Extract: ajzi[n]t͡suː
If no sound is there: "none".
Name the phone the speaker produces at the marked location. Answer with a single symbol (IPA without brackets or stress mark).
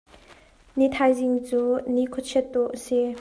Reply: ŋ